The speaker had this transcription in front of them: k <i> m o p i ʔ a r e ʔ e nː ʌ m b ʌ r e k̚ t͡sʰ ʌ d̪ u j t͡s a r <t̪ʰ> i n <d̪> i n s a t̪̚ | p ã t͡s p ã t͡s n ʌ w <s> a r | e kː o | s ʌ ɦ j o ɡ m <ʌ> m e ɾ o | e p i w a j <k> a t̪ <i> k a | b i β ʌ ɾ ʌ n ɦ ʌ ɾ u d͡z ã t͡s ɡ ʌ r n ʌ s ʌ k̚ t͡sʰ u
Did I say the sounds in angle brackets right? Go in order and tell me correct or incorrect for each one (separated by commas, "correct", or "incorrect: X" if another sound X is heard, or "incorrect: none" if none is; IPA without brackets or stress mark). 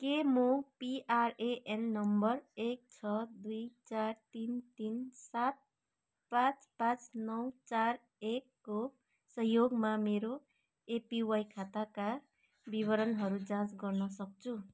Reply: incorrect: e, incorrect: t̪, incorrect: t̪, incorrect: t͡s, incorrect: a, incorrect: kʰ, incorrect: a